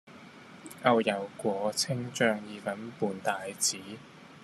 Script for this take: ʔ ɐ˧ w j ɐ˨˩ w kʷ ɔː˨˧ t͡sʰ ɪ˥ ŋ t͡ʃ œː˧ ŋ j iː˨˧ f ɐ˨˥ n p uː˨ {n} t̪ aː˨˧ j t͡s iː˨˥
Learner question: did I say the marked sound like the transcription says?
yes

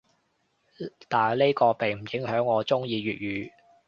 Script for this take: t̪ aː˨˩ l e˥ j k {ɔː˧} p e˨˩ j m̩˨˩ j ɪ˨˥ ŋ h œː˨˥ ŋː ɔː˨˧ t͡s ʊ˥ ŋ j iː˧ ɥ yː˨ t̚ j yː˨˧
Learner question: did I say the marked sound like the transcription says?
yes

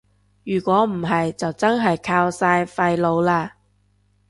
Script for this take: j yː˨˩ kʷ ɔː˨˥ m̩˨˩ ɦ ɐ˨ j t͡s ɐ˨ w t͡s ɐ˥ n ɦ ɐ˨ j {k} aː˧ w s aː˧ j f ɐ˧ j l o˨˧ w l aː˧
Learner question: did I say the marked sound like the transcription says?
no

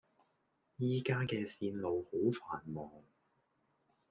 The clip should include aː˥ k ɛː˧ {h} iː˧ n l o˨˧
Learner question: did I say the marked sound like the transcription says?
no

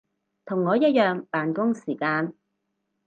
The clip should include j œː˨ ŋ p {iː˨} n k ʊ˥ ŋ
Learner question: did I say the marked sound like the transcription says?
no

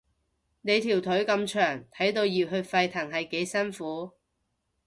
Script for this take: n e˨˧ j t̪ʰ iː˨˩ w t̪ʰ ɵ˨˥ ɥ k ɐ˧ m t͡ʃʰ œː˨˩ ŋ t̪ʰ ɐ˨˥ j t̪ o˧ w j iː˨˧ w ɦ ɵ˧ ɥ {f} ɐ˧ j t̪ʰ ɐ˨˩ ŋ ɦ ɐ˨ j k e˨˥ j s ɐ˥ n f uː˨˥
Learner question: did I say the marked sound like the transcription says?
yes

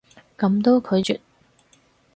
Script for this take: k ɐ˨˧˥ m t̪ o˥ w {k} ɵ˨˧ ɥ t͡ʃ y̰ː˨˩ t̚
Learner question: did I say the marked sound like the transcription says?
no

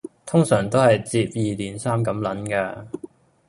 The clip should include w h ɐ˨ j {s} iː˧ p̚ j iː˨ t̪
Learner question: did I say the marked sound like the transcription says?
no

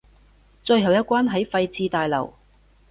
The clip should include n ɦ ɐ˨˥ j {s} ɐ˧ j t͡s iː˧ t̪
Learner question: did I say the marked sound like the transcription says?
no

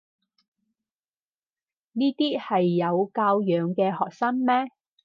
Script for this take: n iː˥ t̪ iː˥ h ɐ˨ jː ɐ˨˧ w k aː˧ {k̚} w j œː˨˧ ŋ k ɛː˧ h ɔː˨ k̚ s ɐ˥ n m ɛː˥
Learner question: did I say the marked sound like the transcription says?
no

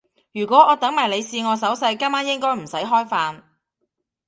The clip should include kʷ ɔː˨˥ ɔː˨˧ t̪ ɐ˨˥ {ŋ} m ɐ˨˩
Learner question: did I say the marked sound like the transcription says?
yes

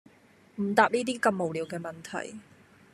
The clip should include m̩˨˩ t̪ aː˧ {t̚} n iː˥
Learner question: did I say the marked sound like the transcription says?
no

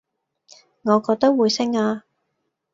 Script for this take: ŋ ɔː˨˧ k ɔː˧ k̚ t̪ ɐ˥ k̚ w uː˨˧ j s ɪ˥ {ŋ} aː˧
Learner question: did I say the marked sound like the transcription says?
yes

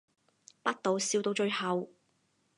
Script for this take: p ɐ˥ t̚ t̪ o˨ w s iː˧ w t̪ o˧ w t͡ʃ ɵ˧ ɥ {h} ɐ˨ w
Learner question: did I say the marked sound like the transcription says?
yes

